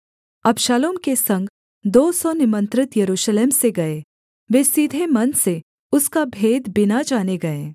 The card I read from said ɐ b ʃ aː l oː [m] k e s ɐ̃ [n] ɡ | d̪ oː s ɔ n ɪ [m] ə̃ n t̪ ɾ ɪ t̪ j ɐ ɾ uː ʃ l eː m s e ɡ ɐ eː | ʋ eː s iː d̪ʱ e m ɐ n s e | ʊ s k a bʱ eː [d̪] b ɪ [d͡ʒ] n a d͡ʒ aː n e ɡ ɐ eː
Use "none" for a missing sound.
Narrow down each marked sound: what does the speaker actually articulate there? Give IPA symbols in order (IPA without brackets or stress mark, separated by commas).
m, ŋ, m, d̪, none